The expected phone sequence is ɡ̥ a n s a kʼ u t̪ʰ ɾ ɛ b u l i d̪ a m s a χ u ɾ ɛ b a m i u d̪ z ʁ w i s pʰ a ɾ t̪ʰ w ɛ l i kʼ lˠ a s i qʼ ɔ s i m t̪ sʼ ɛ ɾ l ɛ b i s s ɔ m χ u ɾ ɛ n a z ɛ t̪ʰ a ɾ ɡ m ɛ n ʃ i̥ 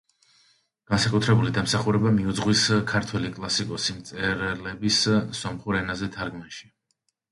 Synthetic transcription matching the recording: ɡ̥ a n s a kʼ u t̪ʰ ɾ ɛ b u l i d̪ a m s a χ u ɾ ɛ b a m i u d̪ z ʁ w i s kʰ a ɾ t̪ʰ w ɛ l i kʼ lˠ a s i kʼ ɔ s i m t̪ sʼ ɛ ɾ l ɛ b i s s ɔ m χ u ɾ ɛ n a z ɛ t̪ʰ a ɾ ɡ m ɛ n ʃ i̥